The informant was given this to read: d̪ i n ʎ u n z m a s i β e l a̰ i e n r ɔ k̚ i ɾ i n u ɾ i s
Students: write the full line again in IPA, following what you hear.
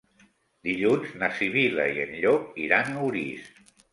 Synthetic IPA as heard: d̪ i ʎ u n z n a s i β i l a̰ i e n ʎ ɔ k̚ i ɾ a n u ɾ i s